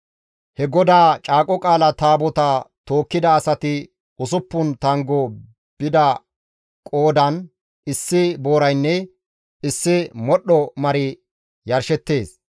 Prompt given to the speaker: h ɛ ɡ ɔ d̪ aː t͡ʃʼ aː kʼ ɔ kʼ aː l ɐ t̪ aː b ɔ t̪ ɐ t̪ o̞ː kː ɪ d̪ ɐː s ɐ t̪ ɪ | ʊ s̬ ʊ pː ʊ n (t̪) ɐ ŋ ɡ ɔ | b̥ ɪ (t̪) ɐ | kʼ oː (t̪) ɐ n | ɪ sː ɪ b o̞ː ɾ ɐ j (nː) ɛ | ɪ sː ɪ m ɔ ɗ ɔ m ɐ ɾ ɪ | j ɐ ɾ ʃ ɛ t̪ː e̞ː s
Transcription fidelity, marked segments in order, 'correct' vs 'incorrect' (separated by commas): correct, incorrect, incorrect, correct